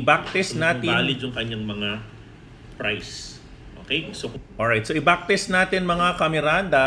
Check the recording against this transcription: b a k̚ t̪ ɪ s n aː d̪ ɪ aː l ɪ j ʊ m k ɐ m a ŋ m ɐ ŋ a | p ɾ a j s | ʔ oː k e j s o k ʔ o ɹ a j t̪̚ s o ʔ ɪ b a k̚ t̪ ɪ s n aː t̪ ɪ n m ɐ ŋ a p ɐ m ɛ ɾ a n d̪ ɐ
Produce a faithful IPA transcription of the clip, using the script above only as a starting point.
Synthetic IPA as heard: b a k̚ t̪ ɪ s n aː t̪ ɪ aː l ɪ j ʊ ŋ k ɐ ɲ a ŋ m ɐ ŋ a | p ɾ a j s | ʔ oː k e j s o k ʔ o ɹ a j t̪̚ s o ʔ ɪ b a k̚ t̪ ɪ s n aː t̪ ɪ n m ɐ ŋ a k ɐ m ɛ ɾ a n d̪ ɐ

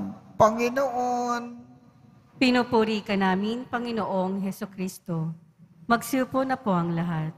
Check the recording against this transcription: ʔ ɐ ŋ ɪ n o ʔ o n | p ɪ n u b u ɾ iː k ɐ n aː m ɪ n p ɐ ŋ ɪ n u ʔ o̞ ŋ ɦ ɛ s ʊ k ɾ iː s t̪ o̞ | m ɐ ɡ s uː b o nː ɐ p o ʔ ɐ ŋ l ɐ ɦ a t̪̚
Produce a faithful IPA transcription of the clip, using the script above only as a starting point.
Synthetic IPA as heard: p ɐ ŋ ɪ n o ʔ o n | p ɪ n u p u ɾ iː k ɐ n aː m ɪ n p ɐ ŋ ɪ n o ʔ o̞ ŋ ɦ ɛ s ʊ k ɾ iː s t̪ o̞ | m ɐ ɡ s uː p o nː ɐ p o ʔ ɐ ŋ l ɐ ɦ a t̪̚

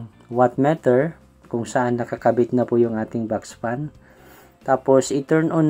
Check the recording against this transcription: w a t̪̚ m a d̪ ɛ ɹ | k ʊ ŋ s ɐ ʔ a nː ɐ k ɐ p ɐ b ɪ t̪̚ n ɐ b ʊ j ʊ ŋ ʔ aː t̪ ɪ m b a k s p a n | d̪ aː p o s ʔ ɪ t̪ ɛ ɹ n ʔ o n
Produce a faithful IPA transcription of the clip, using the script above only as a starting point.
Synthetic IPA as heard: w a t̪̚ m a t̪ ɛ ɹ | k ʊ ŋ s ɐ ʔ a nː ɐ k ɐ k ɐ b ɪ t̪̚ n ɐ p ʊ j ʊ ŋ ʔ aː t̪ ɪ ŋ b a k s p a n | t̪ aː p o s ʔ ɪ t̪ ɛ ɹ n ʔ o n

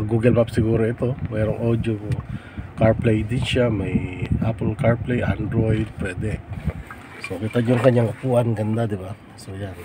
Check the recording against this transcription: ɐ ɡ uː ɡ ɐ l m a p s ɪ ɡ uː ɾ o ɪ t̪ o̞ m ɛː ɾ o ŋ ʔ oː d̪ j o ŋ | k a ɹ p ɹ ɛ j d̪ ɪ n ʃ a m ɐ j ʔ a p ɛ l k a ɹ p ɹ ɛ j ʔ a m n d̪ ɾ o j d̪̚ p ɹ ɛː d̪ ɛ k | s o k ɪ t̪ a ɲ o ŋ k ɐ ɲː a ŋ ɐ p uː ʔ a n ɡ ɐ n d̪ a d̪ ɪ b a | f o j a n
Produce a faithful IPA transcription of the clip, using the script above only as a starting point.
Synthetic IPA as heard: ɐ ɡ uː ɡ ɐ l m a p s ɪ ɡ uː ɾ o ɪ t̪ o̞ m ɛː ɾ o ŋ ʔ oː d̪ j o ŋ | k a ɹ p l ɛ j d̪ ɪ n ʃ a m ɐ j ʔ a p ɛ l k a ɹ p l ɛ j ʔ a n d̪ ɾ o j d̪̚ p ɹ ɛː d̪ ɛ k | s o k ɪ t̪ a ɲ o ŋ k ɐ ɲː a ŋ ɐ p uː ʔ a n ɡ ɐ n d̪ a d̪ ɪ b a | s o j a n

